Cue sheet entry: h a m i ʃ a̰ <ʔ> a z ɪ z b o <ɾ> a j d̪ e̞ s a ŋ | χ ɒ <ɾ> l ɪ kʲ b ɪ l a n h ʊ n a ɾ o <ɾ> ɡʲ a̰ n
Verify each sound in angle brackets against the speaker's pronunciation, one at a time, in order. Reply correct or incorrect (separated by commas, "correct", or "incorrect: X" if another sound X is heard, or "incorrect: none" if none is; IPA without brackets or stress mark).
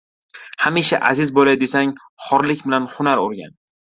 correct, incorrect: l, correct, correct